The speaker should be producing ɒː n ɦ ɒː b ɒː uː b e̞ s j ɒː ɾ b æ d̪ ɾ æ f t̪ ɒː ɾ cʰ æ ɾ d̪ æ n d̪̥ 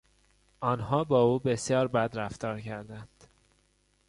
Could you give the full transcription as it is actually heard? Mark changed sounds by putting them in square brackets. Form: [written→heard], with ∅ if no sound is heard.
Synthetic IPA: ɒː n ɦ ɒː b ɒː uː b e̞ s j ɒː ɾ b æ d̪ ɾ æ f t̪ ɒː ɾ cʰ æ ɾ d̪ æ n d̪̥

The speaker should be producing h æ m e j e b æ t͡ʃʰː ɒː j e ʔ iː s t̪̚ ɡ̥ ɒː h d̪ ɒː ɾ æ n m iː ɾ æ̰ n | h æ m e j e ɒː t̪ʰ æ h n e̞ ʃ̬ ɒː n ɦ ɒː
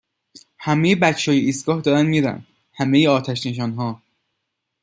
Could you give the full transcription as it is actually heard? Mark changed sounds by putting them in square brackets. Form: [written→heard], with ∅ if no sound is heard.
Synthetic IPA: h æ m e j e b æ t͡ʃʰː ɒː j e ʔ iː s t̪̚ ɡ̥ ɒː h d̪ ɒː ɾ æ n m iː ɾ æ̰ n | h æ m e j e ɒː t̪ʰ æ [h→ʃ] n e̞ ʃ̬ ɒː n ɦ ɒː

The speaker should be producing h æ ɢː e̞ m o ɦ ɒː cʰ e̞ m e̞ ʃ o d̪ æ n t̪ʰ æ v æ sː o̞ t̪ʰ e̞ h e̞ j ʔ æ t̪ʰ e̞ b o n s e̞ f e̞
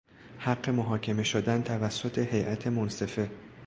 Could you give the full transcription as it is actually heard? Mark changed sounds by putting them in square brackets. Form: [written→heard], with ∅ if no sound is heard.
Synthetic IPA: h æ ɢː e̞ m o ɦ ɒː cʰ e̞ m e̞ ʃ o d̪ æ n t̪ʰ æ v æ sː o̞ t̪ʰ e̞ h e̞ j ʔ æ t̪ʰ e̞ [b→m] o n s e̞ f e̞

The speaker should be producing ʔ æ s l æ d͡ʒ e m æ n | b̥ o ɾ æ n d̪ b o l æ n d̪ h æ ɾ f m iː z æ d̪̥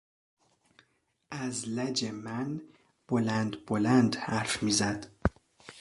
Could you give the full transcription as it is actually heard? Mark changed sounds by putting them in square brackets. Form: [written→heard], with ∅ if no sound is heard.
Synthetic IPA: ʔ æ [s→z] l æ d͡ʒ e m æ n | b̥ o [ɾ→l] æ n d̪ b o l æ n d̪ h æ ɾ f m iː z æ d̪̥

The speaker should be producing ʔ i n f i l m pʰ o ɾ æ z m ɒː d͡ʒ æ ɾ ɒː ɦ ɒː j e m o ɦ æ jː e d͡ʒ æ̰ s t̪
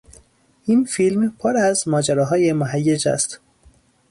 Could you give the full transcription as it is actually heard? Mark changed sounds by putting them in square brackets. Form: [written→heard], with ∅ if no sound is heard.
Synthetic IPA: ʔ i n f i l m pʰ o ɾ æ z m ɒː d͡ʒ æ ɾ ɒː ɦ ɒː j e m o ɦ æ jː e d͡ʒ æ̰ s t̪

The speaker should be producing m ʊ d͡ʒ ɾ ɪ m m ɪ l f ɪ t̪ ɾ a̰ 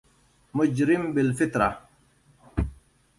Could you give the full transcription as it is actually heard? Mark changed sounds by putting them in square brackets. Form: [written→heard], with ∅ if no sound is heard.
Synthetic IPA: m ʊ d͡ʒ ɾ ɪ m [m→b] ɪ l f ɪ t̪ ɾ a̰

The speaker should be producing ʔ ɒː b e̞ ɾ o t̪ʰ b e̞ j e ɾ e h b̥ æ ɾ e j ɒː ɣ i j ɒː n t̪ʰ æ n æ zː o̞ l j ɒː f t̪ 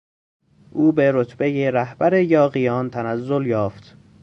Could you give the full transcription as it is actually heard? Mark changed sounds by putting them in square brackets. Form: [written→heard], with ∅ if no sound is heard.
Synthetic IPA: ʔ [ɒː→uː] b e̞ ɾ o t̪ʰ b e̞ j e ɾ [e→æ] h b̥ æ ɾ e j ɒː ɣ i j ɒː n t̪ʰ æ n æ zː o̞ l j ɒː f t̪

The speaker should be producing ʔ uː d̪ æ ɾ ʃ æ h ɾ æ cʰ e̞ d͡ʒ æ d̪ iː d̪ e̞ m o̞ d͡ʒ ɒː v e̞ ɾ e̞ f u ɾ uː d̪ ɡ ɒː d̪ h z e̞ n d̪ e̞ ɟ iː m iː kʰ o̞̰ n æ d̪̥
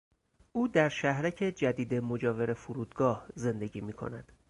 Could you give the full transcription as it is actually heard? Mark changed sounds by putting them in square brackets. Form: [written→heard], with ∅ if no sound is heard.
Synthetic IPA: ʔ uː d̪ æ ɾ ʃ æ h ɾ æ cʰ e̞ d͡ʒ æ d̪ iː d̪ e̞ m o̞ d͡ʒ ɒː v e̞ ɾ e̞ f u ɾ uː d̪ ɡ ɒː [d̪→∅] h z e̞ n d̪ e̞ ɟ iː m iː kʰ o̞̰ n æ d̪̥

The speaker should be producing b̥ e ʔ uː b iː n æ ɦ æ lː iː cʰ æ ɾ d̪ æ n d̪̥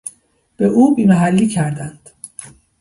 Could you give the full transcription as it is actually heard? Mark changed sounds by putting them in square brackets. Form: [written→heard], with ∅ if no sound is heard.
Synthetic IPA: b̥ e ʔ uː b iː [n→m] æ ɦ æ lː iː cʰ æ ɾ d̪ æ n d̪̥

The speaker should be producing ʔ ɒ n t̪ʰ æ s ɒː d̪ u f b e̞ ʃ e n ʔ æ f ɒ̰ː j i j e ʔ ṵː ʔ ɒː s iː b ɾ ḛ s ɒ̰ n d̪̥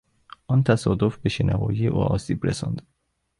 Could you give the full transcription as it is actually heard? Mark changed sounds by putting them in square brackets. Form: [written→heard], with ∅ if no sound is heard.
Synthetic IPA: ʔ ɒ n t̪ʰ æ s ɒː d̪ [u→o] f b e̞ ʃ e n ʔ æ [f→v] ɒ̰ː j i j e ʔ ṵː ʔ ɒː s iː b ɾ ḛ s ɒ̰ n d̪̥

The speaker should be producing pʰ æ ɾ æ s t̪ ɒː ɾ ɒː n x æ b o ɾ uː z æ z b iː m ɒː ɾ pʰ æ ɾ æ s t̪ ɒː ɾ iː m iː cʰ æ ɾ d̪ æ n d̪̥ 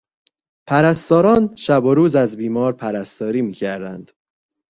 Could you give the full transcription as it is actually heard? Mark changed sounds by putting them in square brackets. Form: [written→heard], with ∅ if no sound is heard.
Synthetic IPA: pʰ æ ɾ æ s t̪ ɒː ɾ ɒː n [x→ʃ] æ b o ɾ uː z æ z b iː m ɒː ɾ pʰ æ ɾ æ s t̪ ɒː ɾ iː m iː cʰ æ ɾ d̪ æ n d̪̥

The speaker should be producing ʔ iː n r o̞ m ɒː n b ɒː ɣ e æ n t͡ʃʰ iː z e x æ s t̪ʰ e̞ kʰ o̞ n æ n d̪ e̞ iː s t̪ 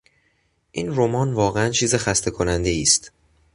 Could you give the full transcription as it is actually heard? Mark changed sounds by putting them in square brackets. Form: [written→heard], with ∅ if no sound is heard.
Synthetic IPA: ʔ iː n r o̞ m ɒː n [b→v] ɒː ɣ e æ n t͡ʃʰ iː z e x æ s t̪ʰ e̞ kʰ o̞ n æ n d̪ e̞ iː s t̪

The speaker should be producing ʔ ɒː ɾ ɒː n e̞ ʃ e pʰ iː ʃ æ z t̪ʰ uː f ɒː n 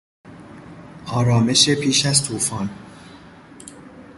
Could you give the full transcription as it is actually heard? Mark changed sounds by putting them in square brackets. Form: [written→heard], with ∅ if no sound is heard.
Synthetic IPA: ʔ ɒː ɾ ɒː [n→m] e̞ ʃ e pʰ iː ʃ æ z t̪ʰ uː f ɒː n

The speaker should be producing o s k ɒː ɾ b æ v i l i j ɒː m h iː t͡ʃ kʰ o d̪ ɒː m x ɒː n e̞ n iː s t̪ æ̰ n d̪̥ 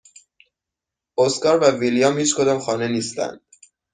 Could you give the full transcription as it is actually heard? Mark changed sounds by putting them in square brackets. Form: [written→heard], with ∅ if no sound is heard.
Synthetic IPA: o s k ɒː ɾ [b→v] æ v i l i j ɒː m h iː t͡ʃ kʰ o d̪ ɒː m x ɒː n e̞ n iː s t̪ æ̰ n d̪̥

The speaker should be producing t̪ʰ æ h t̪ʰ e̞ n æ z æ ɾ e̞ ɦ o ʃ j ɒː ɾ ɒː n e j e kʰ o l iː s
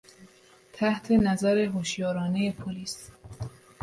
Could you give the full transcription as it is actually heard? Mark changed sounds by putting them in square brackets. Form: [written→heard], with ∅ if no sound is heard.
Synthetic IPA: t̪ʰ æ h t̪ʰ e̞ n æ z æ ɾ e̞ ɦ o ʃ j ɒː ɾ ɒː n e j e [kʰ→pʰ] o l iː s

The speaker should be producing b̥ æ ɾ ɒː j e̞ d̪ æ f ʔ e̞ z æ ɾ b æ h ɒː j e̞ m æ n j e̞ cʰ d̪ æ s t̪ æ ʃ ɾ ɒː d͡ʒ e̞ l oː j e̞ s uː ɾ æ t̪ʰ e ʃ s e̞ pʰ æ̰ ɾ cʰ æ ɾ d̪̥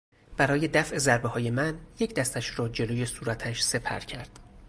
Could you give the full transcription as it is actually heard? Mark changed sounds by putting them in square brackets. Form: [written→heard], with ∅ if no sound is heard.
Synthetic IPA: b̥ æ ɾ ɒː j e̞ d̪ æ f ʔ e̞ z æ ɾ b [æ→e] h ɒː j e̞ m æ n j e̞ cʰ d̪ æ s t̪ æ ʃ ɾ ɒː d͡ʒ e̞ l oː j e̞ s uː ɾ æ t̪ʰ [e→æ] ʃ s e̞ pʰ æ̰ ɾ cʰ æ ɾ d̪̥

